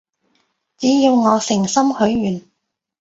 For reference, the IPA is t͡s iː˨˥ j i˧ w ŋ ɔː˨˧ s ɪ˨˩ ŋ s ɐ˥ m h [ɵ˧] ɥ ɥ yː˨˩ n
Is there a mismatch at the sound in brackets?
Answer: yes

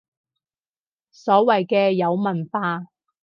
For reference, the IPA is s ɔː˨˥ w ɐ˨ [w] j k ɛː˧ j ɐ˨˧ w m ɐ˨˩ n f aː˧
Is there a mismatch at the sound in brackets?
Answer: yes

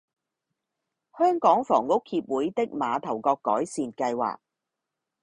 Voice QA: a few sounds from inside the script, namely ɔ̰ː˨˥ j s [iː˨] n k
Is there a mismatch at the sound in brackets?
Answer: no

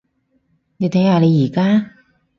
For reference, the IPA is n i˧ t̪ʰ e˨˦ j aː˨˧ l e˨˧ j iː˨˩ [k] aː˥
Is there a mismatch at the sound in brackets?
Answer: no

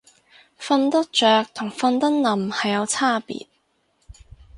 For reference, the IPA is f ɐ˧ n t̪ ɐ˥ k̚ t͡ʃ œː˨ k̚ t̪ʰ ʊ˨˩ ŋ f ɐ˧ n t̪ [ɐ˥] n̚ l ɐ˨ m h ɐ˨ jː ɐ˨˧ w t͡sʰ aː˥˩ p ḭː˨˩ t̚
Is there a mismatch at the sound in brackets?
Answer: no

